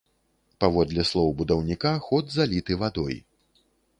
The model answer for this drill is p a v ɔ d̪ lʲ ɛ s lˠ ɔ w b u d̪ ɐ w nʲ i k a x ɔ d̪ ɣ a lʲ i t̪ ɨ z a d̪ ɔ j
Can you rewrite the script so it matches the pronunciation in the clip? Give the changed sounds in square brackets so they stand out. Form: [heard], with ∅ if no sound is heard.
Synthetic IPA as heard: p a v ɔ d̪ lʲ ɛ s lˠ ɔ w b u d̪ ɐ w nʲ i k a x ɔ d̪ [z] a lʲ i t̪ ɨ [v] a d̪ ɔ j